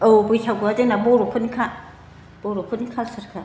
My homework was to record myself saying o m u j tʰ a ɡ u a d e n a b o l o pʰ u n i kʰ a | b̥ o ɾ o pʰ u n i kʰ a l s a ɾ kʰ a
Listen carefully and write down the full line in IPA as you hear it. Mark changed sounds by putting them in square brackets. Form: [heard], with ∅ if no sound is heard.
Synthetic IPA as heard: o [b] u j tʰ a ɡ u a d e n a b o [ɾ] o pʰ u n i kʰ a | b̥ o ɾ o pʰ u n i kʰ a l s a ɾ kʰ a